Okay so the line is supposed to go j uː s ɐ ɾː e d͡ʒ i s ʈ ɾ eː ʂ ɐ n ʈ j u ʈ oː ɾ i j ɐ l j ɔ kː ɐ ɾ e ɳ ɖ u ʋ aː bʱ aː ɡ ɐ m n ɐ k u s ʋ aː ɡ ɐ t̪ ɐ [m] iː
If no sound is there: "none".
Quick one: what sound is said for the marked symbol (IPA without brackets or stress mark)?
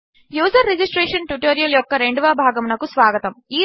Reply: m